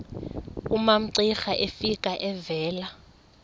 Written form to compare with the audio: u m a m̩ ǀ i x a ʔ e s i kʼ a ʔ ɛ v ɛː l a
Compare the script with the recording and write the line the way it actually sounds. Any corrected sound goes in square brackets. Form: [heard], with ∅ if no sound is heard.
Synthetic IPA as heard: u m a m̩ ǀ i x a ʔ e [f] i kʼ a ʔ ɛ v ɛː l a